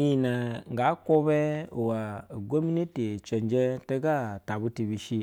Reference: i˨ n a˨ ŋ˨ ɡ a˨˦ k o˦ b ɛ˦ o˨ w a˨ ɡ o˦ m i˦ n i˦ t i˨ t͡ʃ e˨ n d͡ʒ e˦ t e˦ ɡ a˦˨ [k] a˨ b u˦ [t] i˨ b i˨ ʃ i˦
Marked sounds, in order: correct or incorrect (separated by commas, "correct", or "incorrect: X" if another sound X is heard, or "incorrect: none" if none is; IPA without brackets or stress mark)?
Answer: incorrect: t, correct